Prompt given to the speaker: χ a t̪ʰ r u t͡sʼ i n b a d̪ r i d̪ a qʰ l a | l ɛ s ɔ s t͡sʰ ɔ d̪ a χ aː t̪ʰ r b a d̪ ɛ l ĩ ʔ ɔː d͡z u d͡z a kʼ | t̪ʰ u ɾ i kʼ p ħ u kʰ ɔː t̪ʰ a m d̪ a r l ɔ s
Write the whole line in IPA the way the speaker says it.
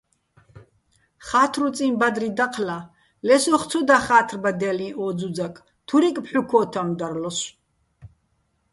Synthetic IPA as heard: χ a t̪ʰ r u t͡sʼ i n b a d̪ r i d̪ a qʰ l a | l ɛ s ɔ χ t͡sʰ ɔ d̪ a χ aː t̪ʰ r b a d̪ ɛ l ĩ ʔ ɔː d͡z u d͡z a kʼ | t̪ʰ u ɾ i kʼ p ħ u kʰ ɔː t̪ʰ a m d̪ a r l ɔ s